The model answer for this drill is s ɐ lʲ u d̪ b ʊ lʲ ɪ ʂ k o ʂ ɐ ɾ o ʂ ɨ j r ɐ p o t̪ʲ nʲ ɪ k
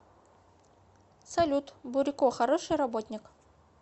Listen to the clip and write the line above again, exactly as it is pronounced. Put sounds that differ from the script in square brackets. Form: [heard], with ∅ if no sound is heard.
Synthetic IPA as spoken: s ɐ lʲ u [t̪] b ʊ [ɾʲ] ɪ [∅] k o [x] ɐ ɾ o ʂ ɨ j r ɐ [b] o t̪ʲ nʲ ɪ k